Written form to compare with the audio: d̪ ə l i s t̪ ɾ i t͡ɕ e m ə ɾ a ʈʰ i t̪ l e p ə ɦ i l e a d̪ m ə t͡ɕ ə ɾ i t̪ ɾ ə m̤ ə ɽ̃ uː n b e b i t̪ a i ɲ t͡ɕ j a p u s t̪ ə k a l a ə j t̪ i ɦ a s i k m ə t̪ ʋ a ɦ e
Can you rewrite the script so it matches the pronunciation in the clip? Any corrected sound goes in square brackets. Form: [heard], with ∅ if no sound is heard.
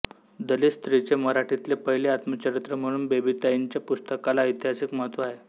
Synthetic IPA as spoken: d̪ ə l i s t̪ ɾ i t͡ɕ e m ə ɾ a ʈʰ i t̪ l e p ə ɦ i l e a [t̪] m ə t͡ɕ ə ɾ i t̪ ɾ ə m̤ ə ɽ̃ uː n b e b i t̪ a i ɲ t͡ɕ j a p u s t̪ ə k a l a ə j t̪ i ɦ a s i k m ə t̪ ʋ a ɦ e